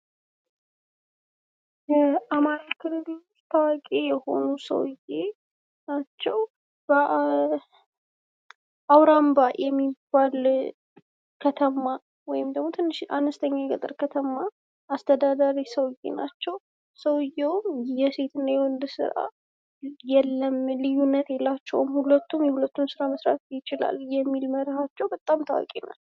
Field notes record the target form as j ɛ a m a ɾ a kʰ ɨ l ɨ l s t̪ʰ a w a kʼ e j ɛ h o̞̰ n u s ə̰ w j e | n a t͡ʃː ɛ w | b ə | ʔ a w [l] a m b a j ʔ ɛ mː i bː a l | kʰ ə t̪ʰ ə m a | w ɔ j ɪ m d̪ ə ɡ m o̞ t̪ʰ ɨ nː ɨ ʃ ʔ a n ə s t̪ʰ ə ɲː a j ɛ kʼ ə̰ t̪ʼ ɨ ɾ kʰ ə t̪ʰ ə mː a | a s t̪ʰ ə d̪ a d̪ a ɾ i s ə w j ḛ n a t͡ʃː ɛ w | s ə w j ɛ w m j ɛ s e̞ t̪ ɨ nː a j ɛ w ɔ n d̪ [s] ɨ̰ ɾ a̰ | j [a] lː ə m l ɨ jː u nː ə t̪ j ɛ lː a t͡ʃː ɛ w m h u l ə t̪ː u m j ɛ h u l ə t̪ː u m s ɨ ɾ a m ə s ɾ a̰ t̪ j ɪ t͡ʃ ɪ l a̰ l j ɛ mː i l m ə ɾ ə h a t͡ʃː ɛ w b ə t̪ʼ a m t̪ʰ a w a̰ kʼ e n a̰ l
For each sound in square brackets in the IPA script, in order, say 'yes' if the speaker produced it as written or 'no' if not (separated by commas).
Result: no, yes, no